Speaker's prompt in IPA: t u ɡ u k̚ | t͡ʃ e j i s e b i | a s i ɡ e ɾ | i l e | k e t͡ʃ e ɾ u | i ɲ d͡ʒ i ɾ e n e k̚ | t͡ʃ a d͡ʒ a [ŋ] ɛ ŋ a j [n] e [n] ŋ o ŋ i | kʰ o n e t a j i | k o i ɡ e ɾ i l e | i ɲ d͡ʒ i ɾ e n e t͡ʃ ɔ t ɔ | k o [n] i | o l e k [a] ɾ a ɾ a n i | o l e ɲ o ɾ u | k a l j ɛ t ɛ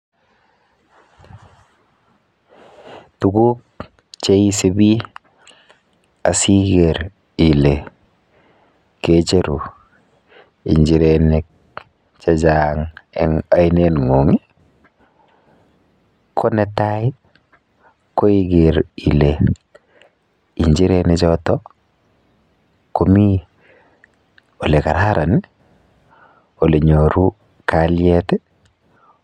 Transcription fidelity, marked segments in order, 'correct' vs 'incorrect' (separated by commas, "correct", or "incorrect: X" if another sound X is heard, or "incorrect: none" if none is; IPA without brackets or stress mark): correct, correct, correct, incorrect: m, correct